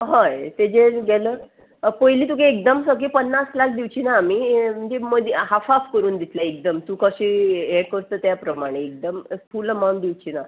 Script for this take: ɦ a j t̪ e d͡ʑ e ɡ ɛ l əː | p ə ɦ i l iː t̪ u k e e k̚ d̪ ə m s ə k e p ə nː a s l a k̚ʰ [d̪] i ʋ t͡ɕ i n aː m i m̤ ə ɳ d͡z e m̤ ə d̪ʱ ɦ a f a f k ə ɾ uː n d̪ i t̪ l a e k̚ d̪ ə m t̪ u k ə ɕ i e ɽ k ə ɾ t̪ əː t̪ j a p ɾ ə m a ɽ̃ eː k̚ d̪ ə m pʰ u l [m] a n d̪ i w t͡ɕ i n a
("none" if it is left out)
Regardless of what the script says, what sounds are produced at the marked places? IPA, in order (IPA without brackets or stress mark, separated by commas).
d̪, m